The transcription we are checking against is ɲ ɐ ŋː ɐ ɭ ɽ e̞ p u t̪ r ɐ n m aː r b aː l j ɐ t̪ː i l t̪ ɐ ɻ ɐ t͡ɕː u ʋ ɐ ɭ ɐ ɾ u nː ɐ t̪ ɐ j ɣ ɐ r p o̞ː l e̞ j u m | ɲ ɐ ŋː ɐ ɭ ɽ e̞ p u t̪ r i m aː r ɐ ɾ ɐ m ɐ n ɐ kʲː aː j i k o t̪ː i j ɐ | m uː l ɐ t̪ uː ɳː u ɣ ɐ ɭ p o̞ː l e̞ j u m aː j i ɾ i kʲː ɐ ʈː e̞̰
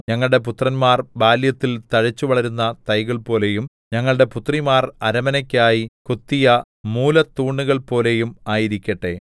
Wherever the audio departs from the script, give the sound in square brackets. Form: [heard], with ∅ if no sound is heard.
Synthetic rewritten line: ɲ ɐ ŋː ɐ ɭ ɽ e̞ p u t̪ r ɐ n m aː r b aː l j ɐ t̪ː i l t̪ ɐ ɻ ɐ t͡ɕː u ʋ ɐ ɭ ɐ ɾ u nː ɐ t̪ ɐ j ɣ ɐ [ɭ] p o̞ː l e̞ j u m | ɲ ɐ ŋː ɐ ɭ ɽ e̞ p u t̪ r i m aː r ɐ ɾ ɐ m ɐ n ɐ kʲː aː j i k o t̪ː i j ɐ | m uː l ɐ t̪ uː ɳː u ɣ ɐ ɭ p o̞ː l e̞ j u m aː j i ɾ i kʲː ɐ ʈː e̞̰